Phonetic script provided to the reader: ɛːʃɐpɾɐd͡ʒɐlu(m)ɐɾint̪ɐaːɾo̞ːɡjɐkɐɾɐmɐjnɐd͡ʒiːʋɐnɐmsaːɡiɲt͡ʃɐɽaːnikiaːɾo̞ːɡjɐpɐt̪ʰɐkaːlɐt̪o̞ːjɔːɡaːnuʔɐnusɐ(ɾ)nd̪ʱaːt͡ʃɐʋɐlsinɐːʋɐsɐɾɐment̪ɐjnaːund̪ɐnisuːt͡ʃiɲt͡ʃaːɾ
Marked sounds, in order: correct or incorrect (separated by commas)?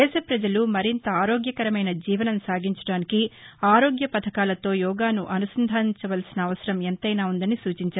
correct, incorrect